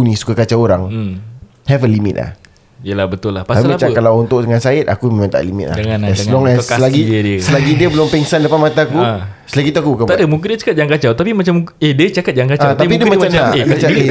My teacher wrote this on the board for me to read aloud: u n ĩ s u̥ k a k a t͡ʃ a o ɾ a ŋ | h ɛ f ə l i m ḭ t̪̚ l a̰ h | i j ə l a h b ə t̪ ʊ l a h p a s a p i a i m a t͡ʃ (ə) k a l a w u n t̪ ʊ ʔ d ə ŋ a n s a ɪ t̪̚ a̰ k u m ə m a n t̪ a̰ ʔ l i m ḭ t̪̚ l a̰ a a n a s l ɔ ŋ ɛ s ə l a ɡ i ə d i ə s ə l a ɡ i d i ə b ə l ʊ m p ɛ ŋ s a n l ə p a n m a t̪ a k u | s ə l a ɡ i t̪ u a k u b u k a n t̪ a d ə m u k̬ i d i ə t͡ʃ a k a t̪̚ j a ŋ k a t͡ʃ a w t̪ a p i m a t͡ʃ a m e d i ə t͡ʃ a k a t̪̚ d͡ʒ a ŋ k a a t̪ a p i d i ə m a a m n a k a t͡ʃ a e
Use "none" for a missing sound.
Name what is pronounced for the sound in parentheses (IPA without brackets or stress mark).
a